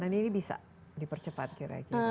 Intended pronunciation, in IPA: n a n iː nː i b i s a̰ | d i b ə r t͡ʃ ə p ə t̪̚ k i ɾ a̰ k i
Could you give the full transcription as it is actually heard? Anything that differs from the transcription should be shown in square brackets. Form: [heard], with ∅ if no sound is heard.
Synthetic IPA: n a n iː [n] i b i s a̰ | d i [p] ə r t͡ʃ ə p [a] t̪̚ k i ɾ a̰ k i